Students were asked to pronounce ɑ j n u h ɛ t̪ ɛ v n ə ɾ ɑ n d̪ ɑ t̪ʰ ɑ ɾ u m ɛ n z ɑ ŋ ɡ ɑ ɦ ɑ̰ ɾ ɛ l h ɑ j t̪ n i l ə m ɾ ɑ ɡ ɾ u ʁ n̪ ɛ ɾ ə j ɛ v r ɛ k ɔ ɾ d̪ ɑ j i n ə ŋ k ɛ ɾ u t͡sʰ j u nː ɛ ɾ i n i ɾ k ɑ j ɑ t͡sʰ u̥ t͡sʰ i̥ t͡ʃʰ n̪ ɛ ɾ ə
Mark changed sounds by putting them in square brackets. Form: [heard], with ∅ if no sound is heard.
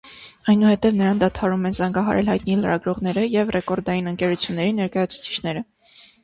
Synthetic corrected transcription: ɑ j n u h ɛ t̪ ɛ v n ə ɾ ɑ n d̪ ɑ t̪ʰ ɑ ɾ u m ɛ n z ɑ ŋ ɡ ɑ ɦ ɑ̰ ɾ ɛ l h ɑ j t̪ n i l ə [∅] ɾ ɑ ɡ ɾ [ɔ] ʁ n̪ ɛ ɾ ə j ɛ v r ɛ k ɔ ɾ d̪ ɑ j i n ə ŋ k ɛ ɾ u t͡sʰ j u nː ɛ ɾ i n [ɛ] ɾ k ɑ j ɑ t͡sʰ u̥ t͡sʰ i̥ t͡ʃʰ n̪ ɛ ɾ ə